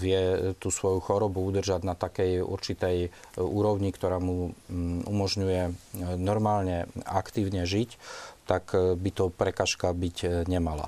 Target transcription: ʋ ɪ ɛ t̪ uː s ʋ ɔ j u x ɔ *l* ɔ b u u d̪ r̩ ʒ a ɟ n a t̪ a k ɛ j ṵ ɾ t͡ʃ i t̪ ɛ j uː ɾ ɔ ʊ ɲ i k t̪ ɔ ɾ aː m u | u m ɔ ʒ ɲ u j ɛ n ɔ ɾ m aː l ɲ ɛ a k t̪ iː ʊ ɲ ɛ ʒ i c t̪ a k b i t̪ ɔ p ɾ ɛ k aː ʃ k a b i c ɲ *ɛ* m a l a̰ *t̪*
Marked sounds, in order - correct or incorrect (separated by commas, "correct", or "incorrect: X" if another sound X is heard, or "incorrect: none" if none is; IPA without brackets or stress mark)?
incorrect: ɾ, correct, incorrect: none